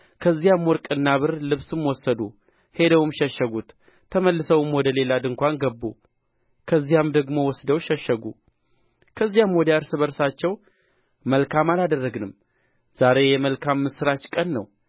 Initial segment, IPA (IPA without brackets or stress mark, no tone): kʰ